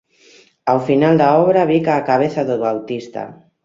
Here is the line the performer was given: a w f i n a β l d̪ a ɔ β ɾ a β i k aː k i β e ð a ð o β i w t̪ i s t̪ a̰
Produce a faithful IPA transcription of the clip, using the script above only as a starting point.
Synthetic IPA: a w f i n a l d̪ a ɔ β ɾ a β i k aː k a β e θ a ð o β a w t̪ i s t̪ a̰